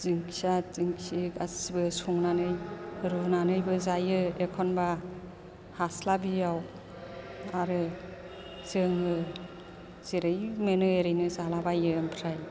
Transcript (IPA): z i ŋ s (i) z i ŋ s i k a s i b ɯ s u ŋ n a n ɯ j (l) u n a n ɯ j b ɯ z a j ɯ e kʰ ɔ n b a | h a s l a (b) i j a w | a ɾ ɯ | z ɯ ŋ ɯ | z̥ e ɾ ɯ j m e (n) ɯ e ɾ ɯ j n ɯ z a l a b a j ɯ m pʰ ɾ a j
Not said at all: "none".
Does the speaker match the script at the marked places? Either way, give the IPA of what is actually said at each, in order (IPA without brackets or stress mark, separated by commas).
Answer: a, ɾ, b, n